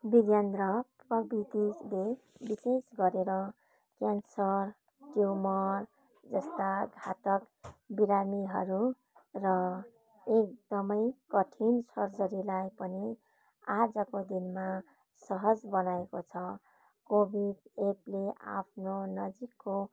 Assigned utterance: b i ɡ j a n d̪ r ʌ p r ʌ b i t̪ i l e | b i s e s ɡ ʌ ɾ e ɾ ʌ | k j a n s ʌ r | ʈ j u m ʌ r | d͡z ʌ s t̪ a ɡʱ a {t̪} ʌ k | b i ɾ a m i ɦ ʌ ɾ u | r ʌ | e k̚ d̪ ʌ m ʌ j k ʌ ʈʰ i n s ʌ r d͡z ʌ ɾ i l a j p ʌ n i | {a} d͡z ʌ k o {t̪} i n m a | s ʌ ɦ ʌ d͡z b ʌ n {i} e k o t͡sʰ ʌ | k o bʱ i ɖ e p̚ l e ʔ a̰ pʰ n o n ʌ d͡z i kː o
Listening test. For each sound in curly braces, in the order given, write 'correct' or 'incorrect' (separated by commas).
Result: correct, correct, incorrect, incorrect